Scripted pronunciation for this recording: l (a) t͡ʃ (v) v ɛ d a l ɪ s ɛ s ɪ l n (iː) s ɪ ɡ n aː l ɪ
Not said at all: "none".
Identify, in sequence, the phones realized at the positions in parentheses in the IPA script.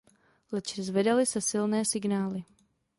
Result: ɛ, z, ɛː

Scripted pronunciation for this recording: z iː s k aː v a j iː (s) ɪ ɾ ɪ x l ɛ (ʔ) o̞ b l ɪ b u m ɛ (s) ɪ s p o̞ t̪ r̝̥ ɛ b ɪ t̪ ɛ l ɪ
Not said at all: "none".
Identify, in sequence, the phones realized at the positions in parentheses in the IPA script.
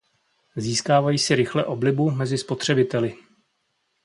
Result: s, ʔ, z

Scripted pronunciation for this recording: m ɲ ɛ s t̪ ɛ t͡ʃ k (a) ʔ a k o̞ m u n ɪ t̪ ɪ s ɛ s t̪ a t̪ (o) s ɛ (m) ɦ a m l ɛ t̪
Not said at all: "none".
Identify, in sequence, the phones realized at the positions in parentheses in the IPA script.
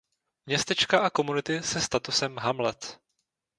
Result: a, u, m

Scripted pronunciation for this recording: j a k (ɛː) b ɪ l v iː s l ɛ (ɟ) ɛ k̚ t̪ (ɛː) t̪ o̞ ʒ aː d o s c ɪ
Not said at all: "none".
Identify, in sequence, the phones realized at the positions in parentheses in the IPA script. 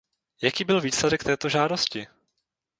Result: iː, d, ɛː

